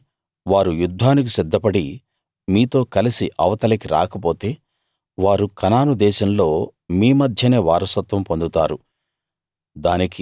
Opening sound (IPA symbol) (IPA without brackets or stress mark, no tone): ʋ